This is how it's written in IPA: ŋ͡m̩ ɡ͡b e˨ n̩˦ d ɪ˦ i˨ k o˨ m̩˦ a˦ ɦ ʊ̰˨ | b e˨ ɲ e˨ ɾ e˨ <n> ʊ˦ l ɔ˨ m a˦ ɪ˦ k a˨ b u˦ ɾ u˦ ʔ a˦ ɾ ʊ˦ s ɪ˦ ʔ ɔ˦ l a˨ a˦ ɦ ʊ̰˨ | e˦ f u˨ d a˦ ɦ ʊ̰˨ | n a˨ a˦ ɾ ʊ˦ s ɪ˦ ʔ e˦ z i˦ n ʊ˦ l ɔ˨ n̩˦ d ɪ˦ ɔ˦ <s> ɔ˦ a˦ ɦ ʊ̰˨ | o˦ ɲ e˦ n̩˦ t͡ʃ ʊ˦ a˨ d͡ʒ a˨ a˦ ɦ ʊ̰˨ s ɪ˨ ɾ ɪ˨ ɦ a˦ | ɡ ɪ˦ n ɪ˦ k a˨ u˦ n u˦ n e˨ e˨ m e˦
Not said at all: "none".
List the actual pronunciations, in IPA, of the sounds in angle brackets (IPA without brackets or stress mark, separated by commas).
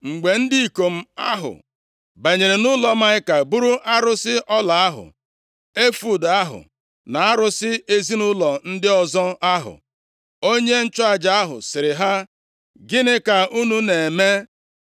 n, z